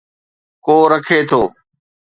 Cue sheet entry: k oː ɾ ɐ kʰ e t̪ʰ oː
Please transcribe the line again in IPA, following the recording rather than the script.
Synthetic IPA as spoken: k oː ɾ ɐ kʰ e t̪ʰ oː